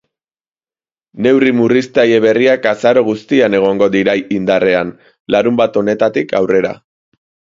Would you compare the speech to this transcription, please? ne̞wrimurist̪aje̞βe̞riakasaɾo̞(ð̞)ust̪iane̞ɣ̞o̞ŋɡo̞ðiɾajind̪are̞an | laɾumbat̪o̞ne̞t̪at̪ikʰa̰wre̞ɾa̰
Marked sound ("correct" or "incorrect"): incorrect